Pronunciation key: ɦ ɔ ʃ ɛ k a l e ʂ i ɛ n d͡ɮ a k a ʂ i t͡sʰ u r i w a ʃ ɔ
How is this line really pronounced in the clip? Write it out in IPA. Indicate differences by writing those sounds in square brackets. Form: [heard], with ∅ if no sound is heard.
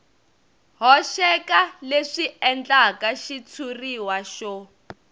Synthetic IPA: ɦ ɔ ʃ ɛ k a l e ʂ i ɛ n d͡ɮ a k a [ʃ] i t͡sʰ u r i w a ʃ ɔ